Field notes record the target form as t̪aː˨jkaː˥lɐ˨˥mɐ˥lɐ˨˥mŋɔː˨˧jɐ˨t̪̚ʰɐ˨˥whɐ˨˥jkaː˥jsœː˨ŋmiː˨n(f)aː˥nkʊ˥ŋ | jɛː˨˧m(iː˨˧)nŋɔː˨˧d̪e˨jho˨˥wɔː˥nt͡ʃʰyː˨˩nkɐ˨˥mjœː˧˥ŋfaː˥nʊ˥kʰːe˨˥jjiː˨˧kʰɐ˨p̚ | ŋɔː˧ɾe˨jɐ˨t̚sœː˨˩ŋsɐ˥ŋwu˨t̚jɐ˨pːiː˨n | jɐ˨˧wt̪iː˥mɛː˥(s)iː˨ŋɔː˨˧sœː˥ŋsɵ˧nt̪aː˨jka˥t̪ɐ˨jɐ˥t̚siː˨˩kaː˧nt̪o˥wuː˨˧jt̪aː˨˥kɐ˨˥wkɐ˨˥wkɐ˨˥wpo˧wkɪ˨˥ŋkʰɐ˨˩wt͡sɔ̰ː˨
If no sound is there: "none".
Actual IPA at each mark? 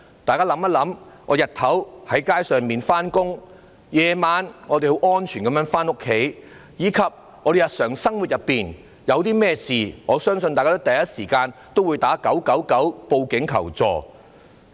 f, aː˨˧, s

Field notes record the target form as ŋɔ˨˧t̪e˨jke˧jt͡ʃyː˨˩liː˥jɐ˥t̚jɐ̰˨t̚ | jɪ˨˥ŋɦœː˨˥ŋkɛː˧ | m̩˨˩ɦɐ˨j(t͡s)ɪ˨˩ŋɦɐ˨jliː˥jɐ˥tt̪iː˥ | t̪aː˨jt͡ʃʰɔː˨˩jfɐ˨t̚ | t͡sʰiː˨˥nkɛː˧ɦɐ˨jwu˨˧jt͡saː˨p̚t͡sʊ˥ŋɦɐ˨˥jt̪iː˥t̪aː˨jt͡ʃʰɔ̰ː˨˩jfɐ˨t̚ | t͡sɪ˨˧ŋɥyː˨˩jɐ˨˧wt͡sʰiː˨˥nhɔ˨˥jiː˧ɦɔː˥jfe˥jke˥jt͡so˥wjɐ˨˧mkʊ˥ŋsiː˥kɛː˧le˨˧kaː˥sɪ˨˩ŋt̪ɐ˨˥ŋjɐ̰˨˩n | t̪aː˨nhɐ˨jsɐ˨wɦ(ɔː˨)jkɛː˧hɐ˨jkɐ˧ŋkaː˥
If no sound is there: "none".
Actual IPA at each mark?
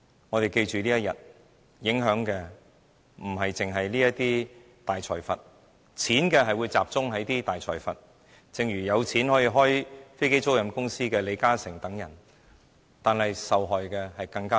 t͡s, ɔː˨

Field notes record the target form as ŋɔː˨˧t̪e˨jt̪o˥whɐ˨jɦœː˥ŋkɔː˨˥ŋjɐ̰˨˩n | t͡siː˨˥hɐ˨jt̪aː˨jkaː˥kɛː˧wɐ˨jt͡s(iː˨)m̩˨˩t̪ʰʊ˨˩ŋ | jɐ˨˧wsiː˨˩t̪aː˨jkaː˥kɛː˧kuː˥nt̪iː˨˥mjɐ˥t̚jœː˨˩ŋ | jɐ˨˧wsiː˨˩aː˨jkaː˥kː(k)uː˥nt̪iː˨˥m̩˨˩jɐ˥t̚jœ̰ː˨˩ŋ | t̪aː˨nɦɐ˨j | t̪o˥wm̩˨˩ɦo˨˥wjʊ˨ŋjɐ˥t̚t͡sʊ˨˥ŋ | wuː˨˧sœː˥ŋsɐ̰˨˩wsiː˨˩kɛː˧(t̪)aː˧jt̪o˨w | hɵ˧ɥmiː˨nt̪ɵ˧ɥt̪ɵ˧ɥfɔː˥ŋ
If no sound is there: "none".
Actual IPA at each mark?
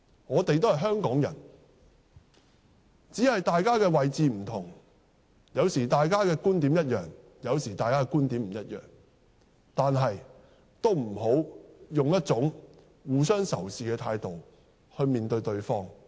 iː˨, k, t̪ʰ

